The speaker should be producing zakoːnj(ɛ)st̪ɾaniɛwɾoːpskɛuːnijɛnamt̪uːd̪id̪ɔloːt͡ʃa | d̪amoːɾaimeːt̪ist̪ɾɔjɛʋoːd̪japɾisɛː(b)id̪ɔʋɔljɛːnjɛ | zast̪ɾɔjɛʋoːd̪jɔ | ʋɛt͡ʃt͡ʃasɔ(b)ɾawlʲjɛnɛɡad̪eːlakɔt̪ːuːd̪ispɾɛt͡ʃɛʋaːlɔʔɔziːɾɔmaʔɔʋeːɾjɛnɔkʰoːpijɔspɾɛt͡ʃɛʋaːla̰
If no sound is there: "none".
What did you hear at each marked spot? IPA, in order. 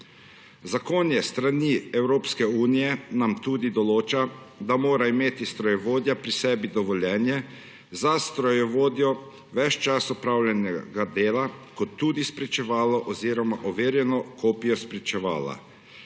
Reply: ɛ, b, p

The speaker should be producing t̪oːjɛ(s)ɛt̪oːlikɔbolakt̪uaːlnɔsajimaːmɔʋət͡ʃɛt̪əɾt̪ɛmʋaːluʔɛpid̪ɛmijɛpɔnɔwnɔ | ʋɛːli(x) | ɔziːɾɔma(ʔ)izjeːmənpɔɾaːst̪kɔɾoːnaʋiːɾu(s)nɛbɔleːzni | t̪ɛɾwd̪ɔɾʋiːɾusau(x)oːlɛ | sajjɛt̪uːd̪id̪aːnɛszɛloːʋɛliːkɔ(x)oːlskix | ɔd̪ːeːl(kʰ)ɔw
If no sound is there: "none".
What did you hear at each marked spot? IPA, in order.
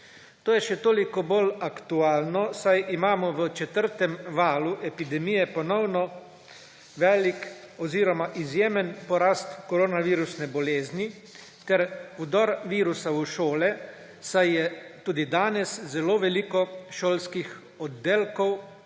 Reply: ʃ, k, ʔ, s, ʃ, ʃ, k

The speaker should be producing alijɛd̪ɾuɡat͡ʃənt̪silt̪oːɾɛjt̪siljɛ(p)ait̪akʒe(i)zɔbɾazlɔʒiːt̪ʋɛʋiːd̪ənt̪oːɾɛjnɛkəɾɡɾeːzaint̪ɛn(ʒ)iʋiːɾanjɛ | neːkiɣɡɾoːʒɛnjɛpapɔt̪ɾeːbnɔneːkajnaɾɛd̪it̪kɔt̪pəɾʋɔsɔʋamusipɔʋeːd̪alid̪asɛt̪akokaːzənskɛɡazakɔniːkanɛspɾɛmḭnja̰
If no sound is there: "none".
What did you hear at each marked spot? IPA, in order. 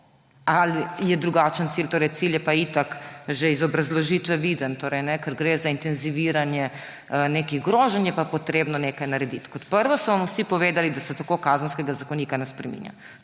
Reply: p, i, z

